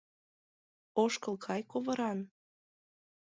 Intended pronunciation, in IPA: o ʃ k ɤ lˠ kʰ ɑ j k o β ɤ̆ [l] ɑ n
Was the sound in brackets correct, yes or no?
no